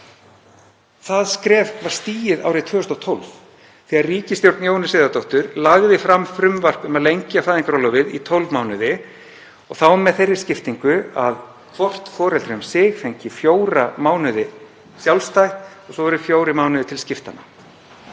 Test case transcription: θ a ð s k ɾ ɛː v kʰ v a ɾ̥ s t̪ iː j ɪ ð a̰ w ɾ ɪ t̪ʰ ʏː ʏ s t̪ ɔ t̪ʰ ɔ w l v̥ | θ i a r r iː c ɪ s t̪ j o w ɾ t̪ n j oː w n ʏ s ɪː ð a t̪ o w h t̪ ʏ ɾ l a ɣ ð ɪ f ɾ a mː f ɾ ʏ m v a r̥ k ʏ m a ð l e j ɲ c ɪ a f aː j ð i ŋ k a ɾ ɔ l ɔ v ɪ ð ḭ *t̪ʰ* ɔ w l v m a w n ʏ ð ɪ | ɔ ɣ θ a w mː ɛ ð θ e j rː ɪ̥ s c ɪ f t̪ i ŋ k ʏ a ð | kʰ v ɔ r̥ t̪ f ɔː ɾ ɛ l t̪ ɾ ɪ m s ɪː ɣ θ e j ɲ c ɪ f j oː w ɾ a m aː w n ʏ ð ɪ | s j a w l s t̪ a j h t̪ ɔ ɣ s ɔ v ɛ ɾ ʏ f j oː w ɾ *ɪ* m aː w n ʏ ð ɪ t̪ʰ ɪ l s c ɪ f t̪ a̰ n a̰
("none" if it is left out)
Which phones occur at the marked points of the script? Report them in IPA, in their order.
t̪ʰ, ɪ

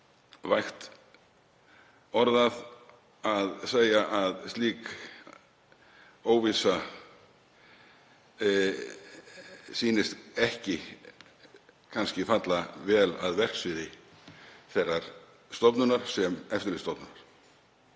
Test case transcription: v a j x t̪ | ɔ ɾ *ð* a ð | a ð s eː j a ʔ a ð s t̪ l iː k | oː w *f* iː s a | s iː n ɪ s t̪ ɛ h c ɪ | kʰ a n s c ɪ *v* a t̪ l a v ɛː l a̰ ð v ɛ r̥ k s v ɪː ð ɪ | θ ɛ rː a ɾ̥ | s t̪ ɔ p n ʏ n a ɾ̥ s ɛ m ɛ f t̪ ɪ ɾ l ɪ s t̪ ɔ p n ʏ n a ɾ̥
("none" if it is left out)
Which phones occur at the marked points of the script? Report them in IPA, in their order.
ð, v, f

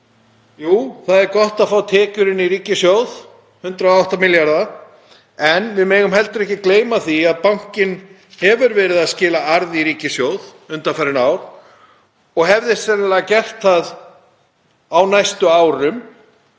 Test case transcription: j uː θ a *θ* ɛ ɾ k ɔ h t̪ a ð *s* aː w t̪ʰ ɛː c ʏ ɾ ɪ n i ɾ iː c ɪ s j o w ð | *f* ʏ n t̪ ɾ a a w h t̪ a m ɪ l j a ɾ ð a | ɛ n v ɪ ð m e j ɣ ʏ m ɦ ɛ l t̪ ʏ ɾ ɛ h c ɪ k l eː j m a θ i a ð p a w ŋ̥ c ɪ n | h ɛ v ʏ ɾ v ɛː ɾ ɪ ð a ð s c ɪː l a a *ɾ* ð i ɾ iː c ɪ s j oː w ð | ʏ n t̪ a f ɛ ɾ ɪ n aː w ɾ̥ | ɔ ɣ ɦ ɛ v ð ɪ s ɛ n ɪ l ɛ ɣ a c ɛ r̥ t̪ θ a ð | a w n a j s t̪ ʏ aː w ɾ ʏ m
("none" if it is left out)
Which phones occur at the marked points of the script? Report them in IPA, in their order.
ð, f, h, ɾ

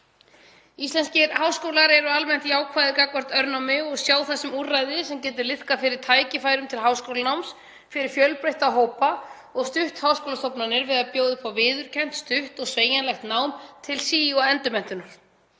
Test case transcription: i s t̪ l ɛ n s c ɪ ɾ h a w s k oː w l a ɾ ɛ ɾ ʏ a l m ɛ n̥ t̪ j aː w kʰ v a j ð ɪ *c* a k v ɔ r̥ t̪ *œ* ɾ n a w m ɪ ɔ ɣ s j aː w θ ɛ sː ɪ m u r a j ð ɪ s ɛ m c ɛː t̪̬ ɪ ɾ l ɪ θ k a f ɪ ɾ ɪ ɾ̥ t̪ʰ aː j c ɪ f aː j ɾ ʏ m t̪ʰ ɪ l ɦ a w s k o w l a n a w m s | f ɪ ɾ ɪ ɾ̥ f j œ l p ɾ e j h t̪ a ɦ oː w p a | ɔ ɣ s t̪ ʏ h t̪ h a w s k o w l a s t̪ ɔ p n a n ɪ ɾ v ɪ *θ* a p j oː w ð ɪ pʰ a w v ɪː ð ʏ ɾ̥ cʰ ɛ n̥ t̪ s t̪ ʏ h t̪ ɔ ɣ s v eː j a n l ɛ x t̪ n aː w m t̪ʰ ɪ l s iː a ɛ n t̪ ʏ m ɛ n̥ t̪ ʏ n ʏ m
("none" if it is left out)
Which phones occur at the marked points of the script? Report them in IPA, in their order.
k, œ, ð

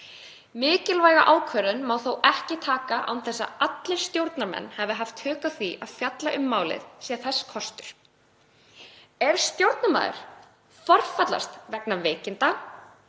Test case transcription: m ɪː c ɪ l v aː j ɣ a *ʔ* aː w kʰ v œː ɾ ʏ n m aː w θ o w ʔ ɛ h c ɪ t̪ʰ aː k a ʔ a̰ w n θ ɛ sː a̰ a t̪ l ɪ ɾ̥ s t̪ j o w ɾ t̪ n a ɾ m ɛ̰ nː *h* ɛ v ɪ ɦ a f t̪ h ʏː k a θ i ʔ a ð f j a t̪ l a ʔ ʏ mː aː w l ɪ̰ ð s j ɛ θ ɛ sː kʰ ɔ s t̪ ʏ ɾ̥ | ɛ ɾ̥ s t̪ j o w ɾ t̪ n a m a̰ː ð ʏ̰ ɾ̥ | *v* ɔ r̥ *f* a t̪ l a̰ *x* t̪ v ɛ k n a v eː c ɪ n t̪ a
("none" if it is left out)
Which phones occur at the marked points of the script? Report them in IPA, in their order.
ʔ, h, f, f, s

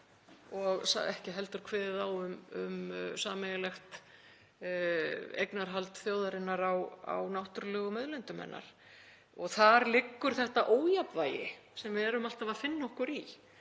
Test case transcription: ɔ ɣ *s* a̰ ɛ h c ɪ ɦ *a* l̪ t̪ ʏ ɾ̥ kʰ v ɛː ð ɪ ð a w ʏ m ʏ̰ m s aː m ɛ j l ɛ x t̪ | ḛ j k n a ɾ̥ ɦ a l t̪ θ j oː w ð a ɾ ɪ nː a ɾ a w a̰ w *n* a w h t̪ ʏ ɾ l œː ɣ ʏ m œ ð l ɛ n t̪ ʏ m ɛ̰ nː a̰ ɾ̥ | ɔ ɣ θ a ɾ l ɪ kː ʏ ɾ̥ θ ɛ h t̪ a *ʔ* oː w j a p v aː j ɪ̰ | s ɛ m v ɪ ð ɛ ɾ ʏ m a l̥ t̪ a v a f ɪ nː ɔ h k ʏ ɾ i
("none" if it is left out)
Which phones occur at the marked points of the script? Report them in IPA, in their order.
s, ɛ, n, ʔ

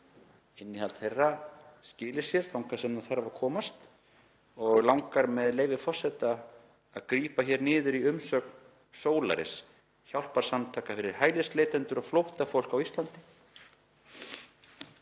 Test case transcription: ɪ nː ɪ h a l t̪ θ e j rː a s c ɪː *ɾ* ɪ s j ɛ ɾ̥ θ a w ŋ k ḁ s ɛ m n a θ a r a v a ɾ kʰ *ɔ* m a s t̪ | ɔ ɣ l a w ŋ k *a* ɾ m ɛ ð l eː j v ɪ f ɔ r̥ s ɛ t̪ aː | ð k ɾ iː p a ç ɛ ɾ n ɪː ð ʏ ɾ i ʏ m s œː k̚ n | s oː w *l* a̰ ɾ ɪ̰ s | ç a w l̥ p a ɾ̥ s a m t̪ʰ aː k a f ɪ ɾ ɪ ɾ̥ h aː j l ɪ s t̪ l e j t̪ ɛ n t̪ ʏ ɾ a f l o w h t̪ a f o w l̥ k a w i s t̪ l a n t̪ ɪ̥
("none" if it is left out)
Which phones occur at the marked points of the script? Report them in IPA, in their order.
l, ɔː, a, l

